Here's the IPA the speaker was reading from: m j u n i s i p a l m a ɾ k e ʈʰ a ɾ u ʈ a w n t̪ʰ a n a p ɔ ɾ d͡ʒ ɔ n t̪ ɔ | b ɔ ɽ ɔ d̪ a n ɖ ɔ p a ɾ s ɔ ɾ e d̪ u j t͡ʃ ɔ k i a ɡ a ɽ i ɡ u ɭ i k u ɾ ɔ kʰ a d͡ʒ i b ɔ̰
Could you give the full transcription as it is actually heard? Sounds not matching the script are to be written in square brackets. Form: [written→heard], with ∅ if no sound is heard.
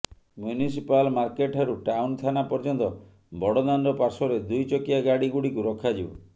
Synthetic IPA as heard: m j u n i s i p a l m a ɾ k e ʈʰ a ɾ u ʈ a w n t̪ʰ a n a p ɔ ɾ d͡ʒ ɔ n t̪ ɔ | b ɔ ɽ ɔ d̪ a n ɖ ɔ p a ɾ s ɔ ɾ e d̪ u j t͡ʃ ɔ k i a ɡ a ɽ i ɡ u [ɭ→ɽ] i k u ɾ ɔ kʰ a d͡ʒ i b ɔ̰